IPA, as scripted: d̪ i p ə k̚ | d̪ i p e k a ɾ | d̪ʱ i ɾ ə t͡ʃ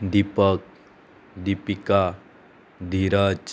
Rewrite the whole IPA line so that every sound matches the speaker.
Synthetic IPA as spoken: d̪ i p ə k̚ | d̪ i p i k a | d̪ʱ i ɾ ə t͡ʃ